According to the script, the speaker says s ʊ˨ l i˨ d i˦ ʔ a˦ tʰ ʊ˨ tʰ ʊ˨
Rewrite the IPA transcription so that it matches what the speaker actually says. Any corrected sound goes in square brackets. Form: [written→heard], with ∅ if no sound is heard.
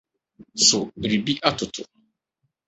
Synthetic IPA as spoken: s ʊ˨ [l→ɾ] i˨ [d→b] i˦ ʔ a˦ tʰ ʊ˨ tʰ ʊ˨

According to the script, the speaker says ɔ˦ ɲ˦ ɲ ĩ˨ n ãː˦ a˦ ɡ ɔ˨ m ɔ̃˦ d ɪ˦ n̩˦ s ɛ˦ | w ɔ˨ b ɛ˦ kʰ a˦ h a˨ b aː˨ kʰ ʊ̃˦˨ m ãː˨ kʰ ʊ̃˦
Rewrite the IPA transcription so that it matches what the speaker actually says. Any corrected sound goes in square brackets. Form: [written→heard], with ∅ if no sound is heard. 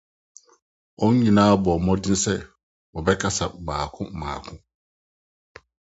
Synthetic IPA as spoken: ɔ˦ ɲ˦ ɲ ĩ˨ n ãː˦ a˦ [ɡ→b] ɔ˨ m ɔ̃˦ d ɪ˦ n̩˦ s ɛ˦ | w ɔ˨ b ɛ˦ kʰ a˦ [h→s] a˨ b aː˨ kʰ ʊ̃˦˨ m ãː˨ kʰ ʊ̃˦

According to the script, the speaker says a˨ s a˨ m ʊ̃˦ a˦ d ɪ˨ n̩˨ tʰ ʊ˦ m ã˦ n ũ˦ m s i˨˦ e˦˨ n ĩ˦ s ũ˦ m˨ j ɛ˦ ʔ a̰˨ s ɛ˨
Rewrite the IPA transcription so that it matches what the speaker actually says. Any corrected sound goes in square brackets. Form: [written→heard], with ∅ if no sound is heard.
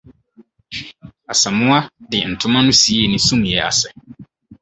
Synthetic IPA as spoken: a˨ s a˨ m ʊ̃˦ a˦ d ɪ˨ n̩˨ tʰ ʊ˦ m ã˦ n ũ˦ [m→∅] s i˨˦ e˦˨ n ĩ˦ s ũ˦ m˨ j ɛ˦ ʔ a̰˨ s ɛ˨

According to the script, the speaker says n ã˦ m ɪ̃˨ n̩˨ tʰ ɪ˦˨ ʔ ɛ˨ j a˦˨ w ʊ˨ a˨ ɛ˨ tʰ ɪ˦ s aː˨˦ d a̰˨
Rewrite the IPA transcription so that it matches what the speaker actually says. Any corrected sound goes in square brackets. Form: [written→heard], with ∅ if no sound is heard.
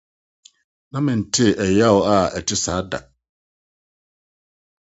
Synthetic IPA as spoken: n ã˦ m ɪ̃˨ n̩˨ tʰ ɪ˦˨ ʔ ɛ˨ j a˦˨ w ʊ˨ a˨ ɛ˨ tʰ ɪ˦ s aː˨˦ d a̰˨

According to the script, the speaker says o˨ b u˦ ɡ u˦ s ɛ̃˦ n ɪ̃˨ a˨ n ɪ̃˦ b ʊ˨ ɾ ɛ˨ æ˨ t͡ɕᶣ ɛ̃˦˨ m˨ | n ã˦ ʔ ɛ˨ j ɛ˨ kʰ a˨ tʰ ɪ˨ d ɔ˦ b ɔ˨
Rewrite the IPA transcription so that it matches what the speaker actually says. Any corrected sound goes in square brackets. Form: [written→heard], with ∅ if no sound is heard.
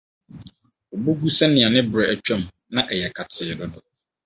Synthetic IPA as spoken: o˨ b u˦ ɡ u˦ s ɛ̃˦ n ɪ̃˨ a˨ n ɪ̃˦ b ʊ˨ ɾ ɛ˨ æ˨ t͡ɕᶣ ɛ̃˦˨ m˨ | n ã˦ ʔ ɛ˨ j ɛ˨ kʰ a˨ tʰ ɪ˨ d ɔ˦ [b→d] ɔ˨

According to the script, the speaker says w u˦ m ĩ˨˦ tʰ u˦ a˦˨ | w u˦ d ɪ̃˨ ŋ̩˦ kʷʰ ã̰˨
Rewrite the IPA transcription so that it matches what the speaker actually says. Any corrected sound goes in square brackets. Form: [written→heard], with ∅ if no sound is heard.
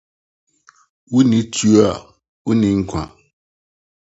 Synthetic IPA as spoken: w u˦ [m→n] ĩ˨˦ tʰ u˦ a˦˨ | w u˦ [d→n] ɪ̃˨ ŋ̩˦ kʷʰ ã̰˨

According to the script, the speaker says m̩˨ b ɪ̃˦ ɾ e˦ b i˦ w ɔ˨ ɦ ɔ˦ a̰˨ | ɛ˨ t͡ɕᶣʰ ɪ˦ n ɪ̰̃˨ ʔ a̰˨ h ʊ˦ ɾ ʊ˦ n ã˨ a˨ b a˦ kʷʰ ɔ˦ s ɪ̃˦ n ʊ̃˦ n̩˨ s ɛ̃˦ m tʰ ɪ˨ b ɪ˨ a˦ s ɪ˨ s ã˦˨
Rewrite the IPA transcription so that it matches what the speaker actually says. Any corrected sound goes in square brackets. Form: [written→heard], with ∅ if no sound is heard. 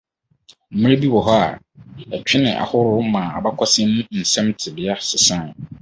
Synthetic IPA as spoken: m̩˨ [b→m] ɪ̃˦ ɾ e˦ b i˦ w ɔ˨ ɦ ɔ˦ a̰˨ | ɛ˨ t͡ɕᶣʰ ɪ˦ n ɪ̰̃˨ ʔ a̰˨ h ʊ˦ ɾ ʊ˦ [n→m] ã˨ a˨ b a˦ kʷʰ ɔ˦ s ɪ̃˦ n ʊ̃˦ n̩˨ s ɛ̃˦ m tʰ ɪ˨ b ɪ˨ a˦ s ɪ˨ s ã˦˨

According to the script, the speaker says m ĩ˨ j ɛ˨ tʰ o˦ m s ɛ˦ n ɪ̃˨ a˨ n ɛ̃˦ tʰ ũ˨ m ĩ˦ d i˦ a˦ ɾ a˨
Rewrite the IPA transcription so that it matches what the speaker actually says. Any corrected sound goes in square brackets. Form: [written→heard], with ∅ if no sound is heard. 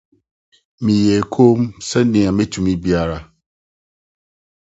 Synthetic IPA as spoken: m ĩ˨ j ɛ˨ [tʰ→kʰ] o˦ m s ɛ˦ n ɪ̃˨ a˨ [n→m] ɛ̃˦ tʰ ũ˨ m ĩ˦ [d→b] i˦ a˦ ɾ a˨

